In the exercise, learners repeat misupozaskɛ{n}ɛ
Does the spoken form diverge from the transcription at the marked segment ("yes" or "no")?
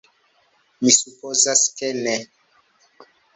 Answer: no